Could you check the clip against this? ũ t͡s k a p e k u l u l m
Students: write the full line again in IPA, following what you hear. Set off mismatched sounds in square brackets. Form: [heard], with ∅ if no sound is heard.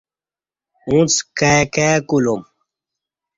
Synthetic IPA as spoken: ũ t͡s k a [k] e k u l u [∅] m

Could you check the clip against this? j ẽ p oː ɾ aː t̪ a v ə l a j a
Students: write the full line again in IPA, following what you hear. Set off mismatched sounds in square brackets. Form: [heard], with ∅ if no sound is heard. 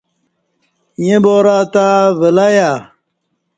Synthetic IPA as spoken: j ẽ [b] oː ɾ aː t̪ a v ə l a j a

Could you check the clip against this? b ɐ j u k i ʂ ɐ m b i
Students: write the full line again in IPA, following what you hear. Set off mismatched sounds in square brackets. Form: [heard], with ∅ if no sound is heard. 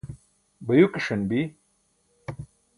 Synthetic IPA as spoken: b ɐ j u k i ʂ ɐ [n] b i

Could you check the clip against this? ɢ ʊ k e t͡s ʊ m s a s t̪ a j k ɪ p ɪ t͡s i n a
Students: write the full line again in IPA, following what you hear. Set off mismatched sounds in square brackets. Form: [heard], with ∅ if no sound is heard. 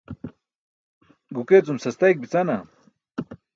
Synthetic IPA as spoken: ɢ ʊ k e t͡s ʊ m s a s t̪ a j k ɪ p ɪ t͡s [a] n a

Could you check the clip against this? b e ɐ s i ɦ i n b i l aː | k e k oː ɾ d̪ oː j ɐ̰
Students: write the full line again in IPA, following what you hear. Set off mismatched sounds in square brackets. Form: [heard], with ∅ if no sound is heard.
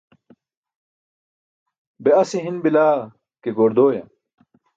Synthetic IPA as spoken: b e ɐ s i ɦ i n b i l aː | k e [ɡ] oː ɾ d̪ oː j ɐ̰

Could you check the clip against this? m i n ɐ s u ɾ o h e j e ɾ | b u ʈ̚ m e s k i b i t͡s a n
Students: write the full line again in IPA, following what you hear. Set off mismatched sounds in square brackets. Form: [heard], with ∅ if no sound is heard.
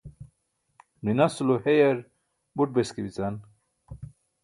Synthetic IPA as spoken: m i n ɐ s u [l] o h e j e ɾ | b u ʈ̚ [b] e s k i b i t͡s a n

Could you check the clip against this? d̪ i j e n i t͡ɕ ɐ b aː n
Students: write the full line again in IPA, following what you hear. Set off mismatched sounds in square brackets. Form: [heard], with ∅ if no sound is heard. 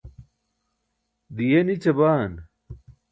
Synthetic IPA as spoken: d̪ i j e n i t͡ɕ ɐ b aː n

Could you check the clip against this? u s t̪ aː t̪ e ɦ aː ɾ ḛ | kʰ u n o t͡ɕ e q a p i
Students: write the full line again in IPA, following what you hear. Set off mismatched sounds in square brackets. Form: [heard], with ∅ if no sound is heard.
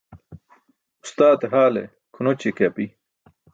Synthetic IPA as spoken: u s t̪ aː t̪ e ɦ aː [l] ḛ | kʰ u n o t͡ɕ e [k] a p i

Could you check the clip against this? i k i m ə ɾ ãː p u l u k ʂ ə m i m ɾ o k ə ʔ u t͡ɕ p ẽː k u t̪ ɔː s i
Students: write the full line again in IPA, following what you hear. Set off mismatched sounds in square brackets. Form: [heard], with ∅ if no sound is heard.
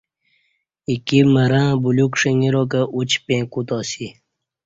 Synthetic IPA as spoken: i k i m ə ɾ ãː [b] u l u k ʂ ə [ŋ] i [∅] ɾ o k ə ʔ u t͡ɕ p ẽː k u t̪ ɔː s i

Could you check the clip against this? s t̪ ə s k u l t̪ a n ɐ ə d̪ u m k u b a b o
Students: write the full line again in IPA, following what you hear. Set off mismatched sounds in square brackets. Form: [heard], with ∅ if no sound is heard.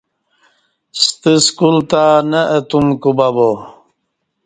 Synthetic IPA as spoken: s t̪ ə s k u l t̪ a n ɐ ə [t̪] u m k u b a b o

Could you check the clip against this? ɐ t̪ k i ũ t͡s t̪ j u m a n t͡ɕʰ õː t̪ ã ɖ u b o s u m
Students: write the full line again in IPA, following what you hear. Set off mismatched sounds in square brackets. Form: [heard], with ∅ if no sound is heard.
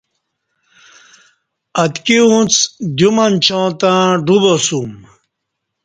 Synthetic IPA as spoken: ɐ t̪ k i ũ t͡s [d̪] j u m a n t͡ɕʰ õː t̪ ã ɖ u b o s u m

